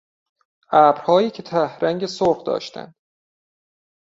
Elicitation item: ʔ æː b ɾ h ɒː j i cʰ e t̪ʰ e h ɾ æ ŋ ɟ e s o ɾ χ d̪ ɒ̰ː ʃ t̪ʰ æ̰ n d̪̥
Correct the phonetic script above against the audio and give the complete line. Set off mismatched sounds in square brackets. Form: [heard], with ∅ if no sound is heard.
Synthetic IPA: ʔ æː b ɾ h ɒː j [iː] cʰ e t̪ʰ [æ] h ɾ æ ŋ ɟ e s o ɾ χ d̪ ɒ̰ː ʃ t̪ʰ æ̰ n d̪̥